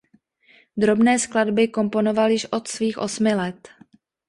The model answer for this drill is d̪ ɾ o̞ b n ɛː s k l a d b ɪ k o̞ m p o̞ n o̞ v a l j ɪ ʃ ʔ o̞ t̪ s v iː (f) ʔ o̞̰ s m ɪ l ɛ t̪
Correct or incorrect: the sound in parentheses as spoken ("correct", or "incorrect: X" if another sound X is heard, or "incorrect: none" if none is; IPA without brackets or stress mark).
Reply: incorrect: x